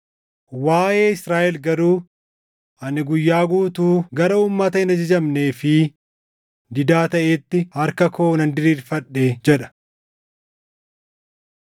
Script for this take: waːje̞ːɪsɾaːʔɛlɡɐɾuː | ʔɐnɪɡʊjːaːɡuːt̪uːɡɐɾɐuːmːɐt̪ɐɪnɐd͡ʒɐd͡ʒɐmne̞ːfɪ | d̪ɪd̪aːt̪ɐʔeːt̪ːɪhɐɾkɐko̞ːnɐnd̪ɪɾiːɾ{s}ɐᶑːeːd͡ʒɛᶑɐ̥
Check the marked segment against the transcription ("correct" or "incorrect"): incorrect